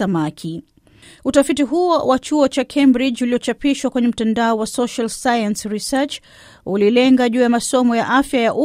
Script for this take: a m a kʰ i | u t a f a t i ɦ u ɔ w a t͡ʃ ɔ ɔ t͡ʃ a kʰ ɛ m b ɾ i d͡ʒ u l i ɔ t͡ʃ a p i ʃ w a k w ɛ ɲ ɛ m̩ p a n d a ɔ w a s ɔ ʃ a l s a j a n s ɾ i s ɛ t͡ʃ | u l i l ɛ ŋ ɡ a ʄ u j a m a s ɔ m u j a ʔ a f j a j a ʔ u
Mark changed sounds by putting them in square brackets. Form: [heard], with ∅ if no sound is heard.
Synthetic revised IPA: a m a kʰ i | u t a f [i] t i ɦ u ɔ w a t͡ʃ [u] ɔ t͡ʃ a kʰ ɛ m b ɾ i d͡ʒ u l i ɔ t͡ʃ a p i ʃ w a k w ɛ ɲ ɛ m̩ [t] a n d a ɔ w a s ɔ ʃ a l s a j a n s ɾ i s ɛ t͡ʃ | u l i l ɛ ŋ ɡ a ʄ [uː] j a m a s ɔ m [ɔ] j a ʔ a f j a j a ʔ u